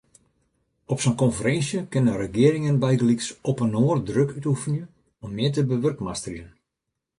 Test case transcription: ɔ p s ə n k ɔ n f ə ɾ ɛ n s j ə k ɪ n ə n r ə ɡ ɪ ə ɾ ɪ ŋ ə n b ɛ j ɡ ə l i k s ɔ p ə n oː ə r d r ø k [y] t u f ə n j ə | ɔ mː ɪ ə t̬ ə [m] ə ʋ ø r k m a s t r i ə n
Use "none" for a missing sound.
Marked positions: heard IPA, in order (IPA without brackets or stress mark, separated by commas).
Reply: y, b